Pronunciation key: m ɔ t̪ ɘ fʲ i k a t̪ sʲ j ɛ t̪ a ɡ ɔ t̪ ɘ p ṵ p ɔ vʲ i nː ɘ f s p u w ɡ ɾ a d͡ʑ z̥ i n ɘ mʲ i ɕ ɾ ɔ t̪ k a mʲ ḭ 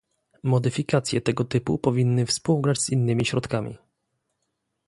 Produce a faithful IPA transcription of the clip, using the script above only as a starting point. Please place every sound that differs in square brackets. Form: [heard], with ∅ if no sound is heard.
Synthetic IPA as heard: m ɔ [d̪] ɘ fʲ i k a t̪ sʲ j ɛ t̪ [ɛ] ɡ ɔ t̪ ɘ p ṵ p ɔ vʲ i nː ɘ f s p u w ɡ ɾ a d͡ʑ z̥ i [nː] ɘ mʲ i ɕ ɾ ɔ t̪ k a mʲ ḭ